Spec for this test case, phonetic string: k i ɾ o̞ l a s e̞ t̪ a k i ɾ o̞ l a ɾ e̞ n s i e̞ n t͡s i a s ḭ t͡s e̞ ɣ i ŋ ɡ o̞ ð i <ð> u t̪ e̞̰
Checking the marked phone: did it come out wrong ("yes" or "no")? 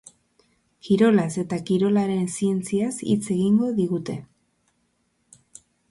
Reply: yes